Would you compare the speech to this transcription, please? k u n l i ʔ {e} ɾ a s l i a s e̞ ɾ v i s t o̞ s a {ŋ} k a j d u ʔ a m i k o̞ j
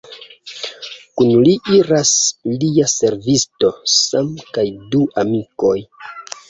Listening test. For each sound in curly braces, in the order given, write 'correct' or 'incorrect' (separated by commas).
incorrect, incorrect